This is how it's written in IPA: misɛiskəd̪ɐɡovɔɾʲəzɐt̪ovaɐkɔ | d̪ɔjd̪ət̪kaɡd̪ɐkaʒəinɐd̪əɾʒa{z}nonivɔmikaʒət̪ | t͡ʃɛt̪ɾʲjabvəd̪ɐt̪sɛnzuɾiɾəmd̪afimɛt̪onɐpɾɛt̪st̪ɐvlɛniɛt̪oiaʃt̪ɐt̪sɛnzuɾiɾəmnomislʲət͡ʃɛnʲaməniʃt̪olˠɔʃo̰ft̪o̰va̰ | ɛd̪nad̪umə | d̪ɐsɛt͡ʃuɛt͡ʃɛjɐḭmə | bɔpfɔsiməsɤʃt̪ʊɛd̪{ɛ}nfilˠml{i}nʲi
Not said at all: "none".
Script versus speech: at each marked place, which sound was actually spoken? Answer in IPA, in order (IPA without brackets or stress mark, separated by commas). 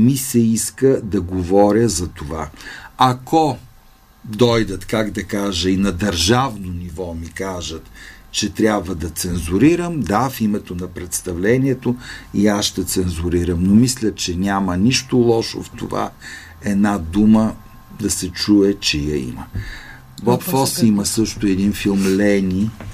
v, i, ɛ